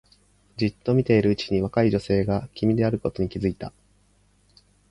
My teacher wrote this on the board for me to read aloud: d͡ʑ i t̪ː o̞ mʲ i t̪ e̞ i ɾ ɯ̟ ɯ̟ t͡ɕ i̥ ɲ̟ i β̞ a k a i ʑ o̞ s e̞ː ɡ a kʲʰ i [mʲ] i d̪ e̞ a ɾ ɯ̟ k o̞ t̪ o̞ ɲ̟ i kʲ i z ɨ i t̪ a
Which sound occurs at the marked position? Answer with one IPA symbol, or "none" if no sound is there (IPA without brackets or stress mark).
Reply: mʲ